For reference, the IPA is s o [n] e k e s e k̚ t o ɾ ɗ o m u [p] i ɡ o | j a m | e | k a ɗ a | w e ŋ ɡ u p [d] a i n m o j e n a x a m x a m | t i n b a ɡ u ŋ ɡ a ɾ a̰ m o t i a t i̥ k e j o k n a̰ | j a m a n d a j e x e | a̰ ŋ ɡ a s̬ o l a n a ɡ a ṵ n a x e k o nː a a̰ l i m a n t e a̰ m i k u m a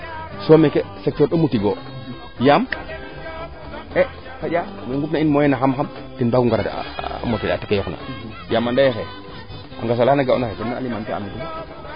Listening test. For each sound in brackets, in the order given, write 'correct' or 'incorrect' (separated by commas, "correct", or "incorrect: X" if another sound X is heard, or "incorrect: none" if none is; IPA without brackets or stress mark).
incorrect: m, incorrect: t, incorrect: n